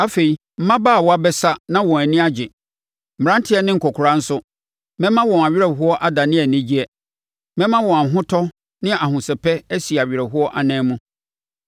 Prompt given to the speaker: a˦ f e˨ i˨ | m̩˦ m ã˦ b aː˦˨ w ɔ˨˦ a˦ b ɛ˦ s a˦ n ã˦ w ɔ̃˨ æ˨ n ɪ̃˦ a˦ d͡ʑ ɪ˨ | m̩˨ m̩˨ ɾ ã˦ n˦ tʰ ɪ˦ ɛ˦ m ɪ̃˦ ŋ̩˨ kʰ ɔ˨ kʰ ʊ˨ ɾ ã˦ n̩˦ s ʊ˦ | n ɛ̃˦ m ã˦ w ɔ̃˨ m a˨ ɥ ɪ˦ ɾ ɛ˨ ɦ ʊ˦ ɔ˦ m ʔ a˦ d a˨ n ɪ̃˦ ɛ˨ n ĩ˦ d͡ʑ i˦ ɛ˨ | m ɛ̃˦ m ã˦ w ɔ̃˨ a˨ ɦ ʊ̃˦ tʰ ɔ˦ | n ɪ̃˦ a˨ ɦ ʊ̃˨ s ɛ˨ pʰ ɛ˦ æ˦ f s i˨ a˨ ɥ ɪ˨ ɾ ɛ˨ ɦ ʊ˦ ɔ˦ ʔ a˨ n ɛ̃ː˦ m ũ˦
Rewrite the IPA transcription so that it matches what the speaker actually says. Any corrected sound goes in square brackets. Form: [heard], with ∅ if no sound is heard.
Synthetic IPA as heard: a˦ f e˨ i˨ | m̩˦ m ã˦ b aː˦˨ w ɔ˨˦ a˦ b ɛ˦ s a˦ n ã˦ w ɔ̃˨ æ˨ n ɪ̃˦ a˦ d͡ʑ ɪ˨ | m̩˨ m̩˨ ɾ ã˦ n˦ tʰ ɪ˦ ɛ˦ [n] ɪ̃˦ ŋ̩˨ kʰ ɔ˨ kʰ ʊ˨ ɾ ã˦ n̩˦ s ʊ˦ | [m] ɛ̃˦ m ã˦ w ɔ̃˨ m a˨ ɥ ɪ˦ ɾ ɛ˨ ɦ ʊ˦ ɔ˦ [∅] ʔ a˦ d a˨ n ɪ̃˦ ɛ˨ n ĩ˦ d͡ʑ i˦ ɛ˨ | m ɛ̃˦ m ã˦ w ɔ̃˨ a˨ ɦ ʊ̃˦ tʰ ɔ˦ | n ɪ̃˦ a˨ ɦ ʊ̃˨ s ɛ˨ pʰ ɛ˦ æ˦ [∅] s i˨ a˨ ɥ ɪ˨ ɾ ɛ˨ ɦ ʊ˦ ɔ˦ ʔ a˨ n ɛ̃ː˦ m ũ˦